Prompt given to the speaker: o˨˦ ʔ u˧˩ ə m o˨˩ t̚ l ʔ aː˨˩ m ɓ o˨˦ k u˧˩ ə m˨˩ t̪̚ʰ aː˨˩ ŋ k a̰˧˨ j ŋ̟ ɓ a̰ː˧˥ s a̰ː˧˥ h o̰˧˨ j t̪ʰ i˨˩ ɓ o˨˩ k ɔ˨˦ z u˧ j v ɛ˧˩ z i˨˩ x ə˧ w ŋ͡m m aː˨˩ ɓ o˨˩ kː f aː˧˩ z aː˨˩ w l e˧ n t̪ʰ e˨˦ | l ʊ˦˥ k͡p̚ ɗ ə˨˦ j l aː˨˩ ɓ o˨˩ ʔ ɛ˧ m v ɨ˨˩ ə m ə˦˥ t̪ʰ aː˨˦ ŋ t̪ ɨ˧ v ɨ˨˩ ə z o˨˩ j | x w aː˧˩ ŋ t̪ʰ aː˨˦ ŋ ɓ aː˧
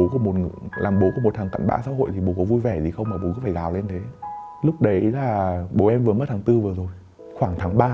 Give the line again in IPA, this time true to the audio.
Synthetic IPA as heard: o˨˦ k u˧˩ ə m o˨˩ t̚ l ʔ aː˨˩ m ɓ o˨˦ k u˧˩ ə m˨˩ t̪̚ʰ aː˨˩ ŋ k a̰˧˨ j ŋ̟ ɓ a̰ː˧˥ s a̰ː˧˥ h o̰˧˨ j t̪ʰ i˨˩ ɓ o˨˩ k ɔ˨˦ v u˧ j v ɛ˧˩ z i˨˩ x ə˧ w ŋ͡m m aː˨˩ ɓ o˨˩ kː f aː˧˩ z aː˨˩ w l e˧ n t̪ʰ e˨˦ | l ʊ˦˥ k͡p̚ ɗ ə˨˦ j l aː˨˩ ɓ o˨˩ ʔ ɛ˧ m v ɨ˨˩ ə m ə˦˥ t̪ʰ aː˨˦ ŋ t̪ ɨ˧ v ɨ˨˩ ə z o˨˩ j | x w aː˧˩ ŋ t̪ʰ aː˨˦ ŋ ɓ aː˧

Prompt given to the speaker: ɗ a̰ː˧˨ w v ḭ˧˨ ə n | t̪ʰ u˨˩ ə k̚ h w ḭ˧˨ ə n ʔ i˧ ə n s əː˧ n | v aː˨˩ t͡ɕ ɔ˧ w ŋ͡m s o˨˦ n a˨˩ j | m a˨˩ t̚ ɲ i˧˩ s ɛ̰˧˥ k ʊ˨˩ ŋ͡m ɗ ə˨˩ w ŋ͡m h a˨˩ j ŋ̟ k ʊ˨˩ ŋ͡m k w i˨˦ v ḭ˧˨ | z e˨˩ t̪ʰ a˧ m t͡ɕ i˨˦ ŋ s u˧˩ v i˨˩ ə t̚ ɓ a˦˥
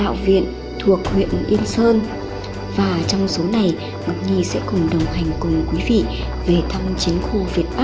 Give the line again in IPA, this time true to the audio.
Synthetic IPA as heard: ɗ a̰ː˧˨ w v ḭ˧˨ ə n | t̪ʰ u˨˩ ə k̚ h w ḭ˧˨ ə n ʔ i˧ ə n s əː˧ n | v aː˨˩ t͡ɕ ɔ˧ w ŋ͡m s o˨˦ n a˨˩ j | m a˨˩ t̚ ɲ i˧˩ s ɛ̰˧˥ k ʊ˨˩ ŋ͡m ɗ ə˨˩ w ŋ͡m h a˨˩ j ŋ̟ k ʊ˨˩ ŋ͡m k w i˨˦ v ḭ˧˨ | v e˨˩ t̪ʰ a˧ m t͡ɕ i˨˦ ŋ x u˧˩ v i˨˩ ə t̚ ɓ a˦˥

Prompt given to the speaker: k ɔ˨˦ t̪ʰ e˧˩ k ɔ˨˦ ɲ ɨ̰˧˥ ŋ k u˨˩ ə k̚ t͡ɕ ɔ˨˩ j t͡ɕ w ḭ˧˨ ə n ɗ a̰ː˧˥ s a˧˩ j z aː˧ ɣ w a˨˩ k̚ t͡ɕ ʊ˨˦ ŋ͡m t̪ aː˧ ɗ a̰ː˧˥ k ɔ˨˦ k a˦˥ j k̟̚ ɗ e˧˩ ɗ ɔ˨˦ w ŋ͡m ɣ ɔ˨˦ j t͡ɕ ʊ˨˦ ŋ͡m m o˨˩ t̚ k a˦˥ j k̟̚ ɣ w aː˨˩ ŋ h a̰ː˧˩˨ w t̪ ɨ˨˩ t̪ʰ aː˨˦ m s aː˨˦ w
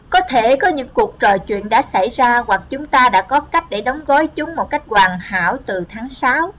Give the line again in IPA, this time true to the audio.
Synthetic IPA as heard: k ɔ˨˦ t̪ʰ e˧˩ k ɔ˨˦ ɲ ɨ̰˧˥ ŋ k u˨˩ ə k̚ t͡ɕ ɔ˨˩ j t͡ɕ w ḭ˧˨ ə n ɗ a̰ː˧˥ s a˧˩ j z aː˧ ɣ w a˨˩ k̚ t͡ɕ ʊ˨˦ ŋ͡m t̪ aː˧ ɗ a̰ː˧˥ k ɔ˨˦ k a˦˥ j k̟̚ ɗ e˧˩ ɗ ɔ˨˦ w ŋ͡m ɣ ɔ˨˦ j t͡ɕ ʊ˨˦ ŋ͡m m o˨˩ t̚ k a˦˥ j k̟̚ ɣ w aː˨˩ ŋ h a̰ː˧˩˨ w t̪ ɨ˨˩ t̪ʰ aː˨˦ ŋ s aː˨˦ w

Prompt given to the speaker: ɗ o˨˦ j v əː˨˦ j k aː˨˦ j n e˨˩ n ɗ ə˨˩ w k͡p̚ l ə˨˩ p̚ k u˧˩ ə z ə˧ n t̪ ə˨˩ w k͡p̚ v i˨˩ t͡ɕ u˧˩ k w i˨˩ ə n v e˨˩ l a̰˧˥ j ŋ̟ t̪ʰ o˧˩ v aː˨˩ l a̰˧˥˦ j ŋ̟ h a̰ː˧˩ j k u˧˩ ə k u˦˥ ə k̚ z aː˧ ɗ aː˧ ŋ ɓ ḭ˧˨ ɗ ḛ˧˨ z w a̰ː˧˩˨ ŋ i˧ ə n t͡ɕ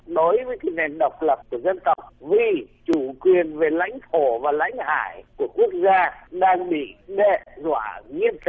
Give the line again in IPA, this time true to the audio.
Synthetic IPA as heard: ɗ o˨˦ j v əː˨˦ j k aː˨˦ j n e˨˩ n ɗ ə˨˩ w k͡p̚ l ə˨˩ p̚ k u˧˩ ə z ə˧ n t̪ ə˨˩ w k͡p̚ v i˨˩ t͡ɕ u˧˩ k w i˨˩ ə n v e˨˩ l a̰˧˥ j ŋ̟ t̪ʰ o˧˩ v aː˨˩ l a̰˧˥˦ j ŋ̟ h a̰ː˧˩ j k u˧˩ ə k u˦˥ ə k̚ z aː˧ ɗ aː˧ ŋ ɓ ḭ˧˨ ɗ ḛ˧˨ z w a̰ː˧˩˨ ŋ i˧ ə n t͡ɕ

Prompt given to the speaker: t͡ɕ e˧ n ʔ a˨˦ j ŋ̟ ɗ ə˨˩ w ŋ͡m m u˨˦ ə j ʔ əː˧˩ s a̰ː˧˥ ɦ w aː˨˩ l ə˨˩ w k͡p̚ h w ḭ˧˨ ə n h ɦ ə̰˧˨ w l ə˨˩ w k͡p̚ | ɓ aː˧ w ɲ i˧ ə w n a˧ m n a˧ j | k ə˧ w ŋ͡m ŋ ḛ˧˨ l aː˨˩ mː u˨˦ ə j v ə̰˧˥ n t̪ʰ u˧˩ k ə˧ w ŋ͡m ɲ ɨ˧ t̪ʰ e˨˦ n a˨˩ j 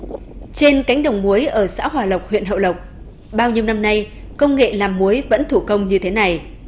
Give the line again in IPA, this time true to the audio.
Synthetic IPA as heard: t͡ɕ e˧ n k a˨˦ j ŋ̟ ɗ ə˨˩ w ŋ͡m m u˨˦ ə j ʔ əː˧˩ s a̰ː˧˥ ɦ w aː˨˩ l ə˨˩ w k͡p̚ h w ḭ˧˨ ə n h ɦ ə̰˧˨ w l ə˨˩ w k͡p̚ | ɓ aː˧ w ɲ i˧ ə w n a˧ m n a˧ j | k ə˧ w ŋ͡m ŋ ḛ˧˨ l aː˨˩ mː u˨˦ ə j v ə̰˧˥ n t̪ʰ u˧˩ k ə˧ w ŋ͡m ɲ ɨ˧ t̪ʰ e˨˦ n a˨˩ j

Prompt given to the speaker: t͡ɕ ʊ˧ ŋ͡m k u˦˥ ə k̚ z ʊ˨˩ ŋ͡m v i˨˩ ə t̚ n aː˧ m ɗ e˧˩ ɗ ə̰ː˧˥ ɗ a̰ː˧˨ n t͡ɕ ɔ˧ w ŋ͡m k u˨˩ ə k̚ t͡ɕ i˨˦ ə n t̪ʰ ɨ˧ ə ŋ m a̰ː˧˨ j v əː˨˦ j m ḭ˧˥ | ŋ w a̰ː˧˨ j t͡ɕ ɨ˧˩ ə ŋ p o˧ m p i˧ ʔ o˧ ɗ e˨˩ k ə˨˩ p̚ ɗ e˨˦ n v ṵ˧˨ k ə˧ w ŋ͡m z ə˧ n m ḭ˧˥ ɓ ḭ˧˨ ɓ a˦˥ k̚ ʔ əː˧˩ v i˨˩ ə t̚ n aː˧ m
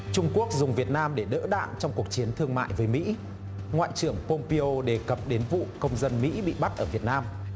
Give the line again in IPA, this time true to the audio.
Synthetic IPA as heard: t͡ɕ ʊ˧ ŋ͡m k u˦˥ ə k̚ z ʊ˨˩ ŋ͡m v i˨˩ ə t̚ n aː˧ m ɗ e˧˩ ɗ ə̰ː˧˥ ɗ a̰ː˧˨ n t͡ɕ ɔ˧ w ŋ͡m k u˨˩ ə k̚ t͡ɕ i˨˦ ə n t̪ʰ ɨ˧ ə ŋ m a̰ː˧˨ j v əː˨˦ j m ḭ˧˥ | ŋ w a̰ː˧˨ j t͡ɕ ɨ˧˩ ə ŋ p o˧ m p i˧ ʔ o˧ ɗ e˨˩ k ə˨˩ p̚ ɗ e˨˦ n v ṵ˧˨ k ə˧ w ŋ͡m z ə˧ n m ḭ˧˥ ɓ ḭ˧˨ ɓ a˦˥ t̚ ʔ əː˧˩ v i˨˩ ə t̚ n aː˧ m

